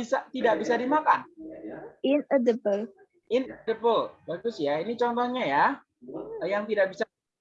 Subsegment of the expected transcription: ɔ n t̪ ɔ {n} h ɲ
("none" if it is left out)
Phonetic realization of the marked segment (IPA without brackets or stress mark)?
none